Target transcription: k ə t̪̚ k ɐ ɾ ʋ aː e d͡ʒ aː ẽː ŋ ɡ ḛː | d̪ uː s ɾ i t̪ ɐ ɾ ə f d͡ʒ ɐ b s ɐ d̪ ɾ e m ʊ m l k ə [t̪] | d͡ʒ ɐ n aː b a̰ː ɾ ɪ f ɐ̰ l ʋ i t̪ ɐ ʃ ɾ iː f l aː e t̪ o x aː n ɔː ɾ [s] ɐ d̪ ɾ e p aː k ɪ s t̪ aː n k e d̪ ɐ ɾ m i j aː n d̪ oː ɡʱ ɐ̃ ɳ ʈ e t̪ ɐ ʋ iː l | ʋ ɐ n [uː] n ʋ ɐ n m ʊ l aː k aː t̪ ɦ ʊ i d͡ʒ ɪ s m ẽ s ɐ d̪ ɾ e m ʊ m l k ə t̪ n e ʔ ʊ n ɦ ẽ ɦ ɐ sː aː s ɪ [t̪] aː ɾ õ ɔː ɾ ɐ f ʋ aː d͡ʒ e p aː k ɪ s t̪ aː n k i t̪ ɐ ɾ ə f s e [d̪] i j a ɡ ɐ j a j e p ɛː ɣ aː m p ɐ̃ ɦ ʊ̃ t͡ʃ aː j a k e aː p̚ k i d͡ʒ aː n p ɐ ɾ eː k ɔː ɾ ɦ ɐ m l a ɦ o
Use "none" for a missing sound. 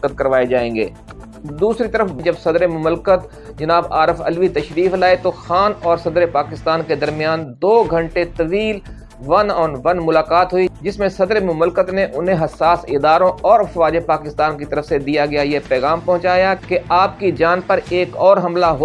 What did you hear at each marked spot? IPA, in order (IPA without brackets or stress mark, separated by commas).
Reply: t̪, s, ɔː, d̪, d̪